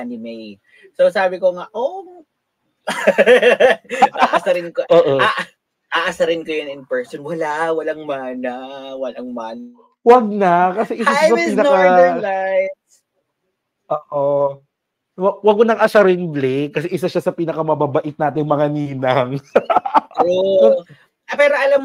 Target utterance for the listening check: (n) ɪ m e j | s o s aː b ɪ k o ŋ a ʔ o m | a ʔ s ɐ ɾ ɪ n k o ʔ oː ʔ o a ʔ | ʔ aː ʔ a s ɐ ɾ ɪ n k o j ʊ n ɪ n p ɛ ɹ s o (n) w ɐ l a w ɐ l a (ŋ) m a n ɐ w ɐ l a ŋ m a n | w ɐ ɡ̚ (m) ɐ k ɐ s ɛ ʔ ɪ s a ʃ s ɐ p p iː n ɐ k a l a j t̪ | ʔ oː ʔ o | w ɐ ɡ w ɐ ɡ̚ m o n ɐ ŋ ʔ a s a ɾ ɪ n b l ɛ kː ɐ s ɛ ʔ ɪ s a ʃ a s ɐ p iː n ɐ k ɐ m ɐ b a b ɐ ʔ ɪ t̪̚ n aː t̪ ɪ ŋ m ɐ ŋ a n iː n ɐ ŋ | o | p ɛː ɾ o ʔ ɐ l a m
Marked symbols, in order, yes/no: yes, yes, yes, no

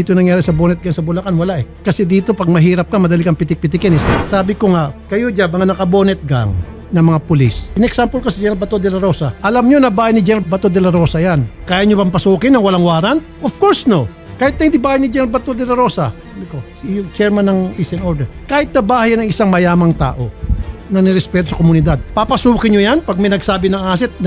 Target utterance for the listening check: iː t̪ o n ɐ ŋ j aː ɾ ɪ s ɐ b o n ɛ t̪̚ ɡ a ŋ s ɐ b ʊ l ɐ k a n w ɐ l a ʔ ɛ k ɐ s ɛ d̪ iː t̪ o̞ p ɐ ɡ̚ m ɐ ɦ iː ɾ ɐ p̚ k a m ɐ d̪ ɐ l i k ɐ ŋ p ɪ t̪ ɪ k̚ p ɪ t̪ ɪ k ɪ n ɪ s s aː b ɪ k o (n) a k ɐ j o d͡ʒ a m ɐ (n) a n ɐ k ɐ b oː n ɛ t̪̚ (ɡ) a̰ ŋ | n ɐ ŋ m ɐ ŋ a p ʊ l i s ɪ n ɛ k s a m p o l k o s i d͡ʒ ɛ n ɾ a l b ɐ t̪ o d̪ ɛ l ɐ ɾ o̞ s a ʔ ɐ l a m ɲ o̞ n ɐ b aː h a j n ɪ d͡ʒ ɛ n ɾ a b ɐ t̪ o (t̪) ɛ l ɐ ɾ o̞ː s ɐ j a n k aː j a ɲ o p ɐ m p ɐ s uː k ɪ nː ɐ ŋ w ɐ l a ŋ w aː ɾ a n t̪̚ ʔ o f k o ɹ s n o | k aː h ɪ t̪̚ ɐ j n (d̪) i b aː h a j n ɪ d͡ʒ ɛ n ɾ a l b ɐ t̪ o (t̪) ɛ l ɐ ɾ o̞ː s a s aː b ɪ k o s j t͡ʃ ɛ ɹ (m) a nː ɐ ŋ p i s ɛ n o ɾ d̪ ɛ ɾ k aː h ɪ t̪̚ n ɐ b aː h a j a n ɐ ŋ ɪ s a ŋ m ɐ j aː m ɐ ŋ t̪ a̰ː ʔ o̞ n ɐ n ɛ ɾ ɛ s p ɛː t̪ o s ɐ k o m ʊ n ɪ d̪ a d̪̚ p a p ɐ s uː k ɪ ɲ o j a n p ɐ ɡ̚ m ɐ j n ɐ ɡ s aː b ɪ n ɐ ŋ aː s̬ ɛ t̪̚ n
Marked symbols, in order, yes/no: no, no, yes, no, yes, no, yes

